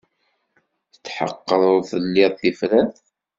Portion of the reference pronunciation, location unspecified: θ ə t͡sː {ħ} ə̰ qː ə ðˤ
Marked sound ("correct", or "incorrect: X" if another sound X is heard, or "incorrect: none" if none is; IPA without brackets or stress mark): correct